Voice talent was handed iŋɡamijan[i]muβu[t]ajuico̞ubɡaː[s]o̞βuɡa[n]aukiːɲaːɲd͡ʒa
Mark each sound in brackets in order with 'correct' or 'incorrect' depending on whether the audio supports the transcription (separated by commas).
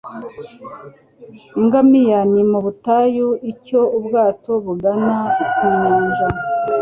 correct, correct, incorrect, correct